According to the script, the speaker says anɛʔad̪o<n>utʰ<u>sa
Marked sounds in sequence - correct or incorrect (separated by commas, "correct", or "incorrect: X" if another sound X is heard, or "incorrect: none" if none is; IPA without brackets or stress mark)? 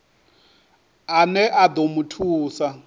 incorrect: m, incorrect: uː